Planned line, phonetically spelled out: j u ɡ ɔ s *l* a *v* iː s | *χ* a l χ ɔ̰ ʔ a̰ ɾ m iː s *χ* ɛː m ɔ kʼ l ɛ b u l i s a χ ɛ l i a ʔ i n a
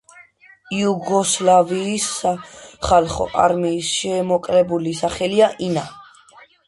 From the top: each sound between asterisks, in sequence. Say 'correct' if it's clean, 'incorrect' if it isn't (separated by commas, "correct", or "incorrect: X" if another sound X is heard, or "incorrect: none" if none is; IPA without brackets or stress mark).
correct, correct, correct, incorrect: ʃ